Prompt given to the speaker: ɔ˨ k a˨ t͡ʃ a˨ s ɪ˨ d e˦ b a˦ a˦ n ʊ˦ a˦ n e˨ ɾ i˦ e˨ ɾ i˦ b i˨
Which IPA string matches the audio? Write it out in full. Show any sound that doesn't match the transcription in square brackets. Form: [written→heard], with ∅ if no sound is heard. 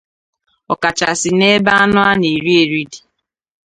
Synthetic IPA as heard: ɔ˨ k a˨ t͡ʃ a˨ s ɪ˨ [d→n] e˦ b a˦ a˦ n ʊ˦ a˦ n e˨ ɾ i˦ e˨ ɾ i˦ [b→d] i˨